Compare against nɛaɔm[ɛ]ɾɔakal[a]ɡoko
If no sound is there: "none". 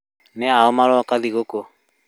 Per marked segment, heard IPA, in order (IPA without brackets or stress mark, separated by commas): a, i